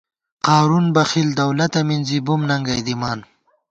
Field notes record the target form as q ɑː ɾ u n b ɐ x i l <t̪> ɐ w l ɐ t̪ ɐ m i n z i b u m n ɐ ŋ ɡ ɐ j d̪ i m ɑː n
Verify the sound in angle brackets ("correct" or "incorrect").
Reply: incorrect